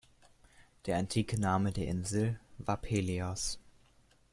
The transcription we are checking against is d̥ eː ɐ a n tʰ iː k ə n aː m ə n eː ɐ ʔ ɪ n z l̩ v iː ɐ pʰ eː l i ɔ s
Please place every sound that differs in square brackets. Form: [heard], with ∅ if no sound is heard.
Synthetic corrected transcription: d̥ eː ɐ a n tʰ iː k ə n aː m ə [d] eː ɐ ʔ ɪ n z l̩ v [aː] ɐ pʰ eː l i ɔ s